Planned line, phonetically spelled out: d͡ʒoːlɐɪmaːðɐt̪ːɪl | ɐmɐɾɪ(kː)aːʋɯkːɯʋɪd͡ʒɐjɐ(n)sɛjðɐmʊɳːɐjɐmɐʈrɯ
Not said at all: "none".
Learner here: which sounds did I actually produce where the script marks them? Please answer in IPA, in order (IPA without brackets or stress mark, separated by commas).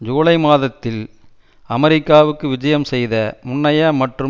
kː, m